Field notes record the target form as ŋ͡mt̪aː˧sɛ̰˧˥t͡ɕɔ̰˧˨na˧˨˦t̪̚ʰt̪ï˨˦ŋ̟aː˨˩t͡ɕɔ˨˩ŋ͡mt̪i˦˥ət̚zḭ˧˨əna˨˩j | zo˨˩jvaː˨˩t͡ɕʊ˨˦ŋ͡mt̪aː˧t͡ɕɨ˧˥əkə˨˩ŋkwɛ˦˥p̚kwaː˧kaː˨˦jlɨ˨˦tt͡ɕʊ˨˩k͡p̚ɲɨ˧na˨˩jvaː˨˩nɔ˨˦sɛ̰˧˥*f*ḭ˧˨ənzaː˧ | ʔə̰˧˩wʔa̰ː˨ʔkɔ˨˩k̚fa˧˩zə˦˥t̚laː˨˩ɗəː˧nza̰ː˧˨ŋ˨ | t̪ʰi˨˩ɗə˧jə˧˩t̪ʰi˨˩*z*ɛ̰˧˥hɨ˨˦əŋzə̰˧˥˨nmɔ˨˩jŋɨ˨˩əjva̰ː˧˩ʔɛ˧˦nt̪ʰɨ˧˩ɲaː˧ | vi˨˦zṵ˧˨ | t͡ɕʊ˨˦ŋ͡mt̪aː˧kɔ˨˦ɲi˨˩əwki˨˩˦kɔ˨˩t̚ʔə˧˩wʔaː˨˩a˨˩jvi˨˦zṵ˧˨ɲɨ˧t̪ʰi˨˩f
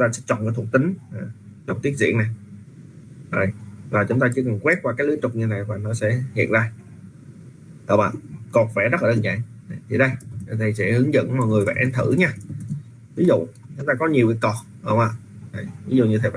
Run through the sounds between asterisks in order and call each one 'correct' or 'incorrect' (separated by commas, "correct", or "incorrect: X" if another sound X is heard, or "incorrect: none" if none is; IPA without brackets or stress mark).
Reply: incorrect: h, incorrect: s